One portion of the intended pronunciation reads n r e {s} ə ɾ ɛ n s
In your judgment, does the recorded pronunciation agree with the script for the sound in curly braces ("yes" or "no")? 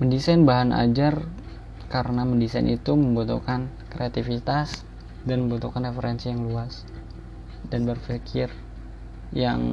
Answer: no